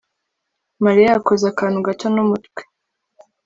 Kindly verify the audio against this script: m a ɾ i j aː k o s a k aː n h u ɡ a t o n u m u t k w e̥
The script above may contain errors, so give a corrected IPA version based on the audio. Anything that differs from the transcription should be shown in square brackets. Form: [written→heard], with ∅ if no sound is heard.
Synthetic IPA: m a ɾ i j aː k o [s→z] a k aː n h u ɡ a t o n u m u t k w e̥